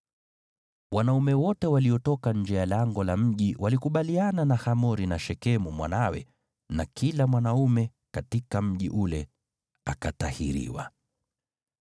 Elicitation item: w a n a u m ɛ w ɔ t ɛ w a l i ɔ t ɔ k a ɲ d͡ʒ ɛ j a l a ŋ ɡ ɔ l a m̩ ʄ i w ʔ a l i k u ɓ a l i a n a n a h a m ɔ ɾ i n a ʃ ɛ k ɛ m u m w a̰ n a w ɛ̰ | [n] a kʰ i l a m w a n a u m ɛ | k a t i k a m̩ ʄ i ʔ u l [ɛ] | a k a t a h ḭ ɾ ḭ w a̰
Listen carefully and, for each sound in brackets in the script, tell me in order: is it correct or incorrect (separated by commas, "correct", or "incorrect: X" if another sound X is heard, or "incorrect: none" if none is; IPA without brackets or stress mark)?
correct, correct